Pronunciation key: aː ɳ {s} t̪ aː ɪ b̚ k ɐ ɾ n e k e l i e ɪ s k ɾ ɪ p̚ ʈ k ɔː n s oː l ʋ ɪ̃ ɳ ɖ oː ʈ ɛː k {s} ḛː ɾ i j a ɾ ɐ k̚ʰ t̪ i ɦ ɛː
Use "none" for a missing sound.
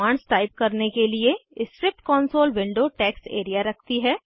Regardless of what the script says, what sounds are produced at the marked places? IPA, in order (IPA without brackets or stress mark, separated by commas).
s, s